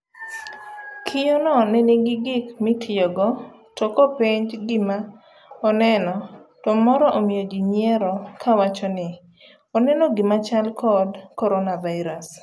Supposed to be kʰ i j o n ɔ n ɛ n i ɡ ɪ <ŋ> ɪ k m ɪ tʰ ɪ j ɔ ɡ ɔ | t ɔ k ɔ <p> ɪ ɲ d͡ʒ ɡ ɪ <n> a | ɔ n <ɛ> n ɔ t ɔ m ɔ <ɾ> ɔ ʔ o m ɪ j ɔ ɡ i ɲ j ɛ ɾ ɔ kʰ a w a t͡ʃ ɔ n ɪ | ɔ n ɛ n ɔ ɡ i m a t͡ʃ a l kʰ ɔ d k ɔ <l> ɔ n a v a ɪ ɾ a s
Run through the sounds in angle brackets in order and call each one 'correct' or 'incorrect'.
incorrect: ɡ, correct, incorrect: m, correct, correct, incorrect: ɾ

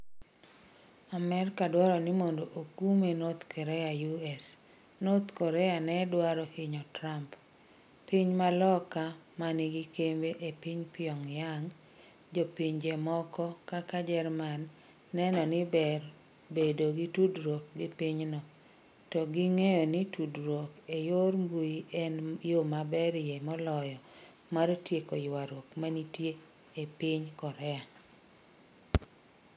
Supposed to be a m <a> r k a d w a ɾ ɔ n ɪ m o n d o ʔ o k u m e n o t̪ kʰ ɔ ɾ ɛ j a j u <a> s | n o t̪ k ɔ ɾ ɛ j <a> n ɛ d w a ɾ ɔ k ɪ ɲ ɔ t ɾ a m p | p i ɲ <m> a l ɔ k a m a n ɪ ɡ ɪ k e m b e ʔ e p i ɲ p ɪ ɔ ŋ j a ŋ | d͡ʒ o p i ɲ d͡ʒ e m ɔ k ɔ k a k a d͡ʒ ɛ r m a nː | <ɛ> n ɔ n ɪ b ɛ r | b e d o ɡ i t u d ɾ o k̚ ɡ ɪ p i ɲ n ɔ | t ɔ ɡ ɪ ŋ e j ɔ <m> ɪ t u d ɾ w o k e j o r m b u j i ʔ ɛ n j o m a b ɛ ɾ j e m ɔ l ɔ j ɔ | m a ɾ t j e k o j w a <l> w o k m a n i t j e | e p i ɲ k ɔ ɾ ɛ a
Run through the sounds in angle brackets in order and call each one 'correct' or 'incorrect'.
incorrect: ɛ, incorrect: ɛ, correct, correct, correct, incorrect: n, incorrect: ɾ

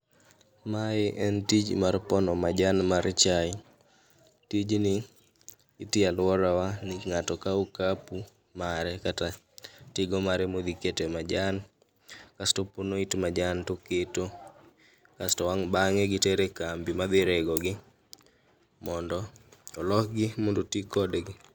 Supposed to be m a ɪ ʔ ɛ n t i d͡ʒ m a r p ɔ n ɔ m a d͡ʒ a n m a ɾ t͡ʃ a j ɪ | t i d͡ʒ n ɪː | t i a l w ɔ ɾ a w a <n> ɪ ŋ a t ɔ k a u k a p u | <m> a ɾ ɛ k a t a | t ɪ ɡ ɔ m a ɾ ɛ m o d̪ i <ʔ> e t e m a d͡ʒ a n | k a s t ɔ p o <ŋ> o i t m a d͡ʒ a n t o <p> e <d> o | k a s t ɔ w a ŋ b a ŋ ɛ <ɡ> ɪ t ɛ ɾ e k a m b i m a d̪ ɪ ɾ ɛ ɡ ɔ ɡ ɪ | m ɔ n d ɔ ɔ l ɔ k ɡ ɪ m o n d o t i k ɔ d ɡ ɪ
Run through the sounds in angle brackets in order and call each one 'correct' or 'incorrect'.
correct, correct, incorrect: k, incorrect: n, incorrect: k, incorrect: t, correct

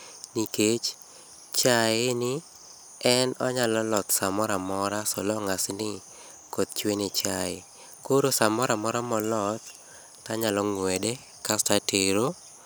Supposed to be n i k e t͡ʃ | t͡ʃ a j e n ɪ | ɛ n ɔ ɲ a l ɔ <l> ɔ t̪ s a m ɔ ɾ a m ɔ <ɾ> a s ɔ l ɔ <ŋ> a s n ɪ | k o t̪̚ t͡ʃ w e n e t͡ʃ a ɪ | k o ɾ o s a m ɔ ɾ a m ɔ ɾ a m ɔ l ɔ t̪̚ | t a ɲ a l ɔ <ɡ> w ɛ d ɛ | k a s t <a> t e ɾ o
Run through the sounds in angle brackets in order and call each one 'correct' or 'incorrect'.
correct, correct, correct, incorrect: ŋ, correct

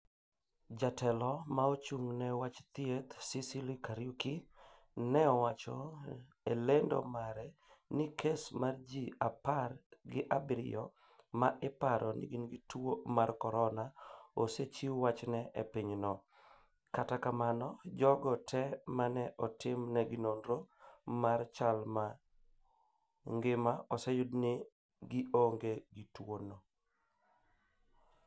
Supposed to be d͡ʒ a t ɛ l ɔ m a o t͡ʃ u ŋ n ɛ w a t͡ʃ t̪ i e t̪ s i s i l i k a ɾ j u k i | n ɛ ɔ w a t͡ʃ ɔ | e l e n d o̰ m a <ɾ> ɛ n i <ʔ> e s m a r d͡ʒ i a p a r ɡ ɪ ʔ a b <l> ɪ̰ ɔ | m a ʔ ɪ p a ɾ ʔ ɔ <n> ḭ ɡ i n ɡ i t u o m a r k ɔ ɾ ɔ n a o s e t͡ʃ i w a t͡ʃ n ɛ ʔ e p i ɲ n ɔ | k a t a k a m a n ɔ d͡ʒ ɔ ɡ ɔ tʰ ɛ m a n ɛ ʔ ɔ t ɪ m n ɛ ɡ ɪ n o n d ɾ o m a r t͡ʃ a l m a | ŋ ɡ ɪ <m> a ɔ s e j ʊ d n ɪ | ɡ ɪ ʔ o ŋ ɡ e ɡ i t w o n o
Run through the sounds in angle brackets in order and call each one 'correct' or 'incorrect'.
correct, incorrect: k, incorrect: ɾ, correct, correct

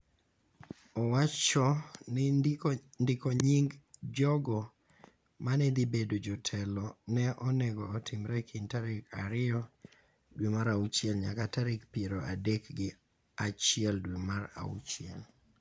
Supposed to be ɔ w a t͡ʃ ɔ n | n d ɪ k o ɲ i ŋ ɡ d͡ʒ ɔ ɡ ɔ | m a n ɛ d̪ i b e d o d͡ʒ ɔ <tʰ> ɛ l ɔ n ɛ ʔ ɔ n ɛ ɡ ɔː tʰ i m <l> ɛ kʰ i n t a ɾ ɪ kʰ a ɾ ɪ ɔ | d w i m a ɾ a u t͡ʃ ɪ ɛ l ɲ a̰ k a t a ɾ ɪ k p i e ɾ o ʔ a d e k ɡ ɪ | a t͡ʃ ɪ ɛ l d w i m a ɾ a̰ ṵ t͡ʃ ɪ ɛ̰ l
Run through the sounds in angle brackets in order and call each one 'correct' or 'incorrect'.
correct, incorrect: ɾ

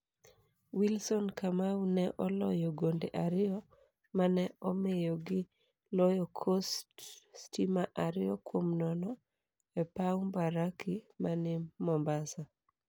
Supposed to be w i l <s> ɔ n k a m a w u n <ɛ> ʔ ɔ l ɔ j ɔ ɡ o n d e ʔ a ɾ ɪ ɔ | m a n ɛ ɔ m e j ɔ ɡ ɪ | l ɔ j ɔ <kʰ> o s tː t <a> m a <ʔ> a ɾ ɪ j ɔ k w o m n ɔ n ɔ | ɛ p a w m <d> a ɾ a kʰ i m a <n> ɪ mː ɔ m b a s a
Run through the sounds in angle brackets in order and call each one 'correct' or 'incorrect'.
correct, correct, correct, incorrect: i, correct, incorrect: b, correct

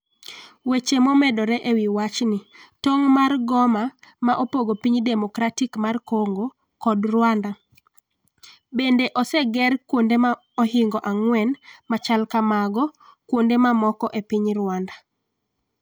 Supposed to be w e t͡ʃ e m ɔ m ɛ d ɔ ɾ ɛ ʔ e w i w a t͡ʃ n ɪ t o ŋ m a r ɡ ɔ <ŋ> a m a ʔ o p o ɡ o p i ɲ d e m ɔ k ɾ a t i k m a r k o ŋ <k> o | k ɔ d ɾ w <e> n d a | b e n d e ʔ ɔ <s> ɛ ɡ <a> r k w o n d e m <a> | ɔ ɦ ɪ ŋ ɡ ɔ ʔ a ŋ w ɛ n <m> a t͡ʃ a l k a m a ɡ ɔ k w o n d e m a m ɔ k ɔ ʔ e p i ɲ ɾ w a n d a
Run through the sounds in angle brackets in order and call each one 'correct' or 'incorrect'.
incorrect: m, incorrect: ɡ, incorrect: a, correct, incorrect: ɛ, correct, correct

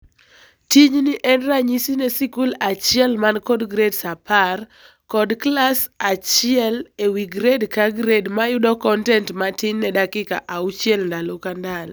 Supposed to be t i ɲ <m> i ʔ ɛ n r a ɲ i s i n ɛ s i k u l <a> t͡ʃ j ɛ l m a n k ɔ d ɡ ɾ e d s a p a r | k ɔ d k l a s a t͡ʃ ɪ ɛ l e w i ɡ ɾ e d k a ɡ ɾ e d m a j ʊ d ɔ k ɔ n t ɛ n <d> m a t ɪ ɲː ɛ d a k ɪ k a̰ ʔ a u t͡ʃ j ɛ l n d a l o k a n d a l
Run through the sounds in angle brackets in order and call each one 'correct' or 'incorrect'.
incorrect: n, correct, incorrect: t

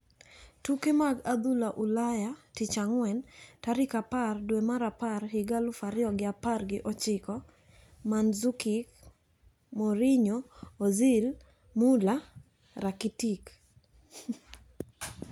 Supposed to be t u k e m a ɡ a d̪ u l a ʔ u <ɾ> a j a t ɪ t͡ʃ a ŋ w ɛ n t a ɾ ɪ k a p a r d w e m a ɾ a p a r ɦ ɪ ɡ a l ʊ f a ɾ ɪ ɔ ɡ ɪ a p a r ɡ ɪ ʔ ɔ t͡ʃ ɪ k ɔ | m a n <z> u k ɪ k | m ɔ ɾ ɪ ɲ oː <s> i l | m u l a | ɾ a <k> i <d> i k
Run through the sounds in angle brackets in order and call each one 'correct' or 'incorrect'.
incorrect: l, correct, incorrect: z, correct, incorrect: t

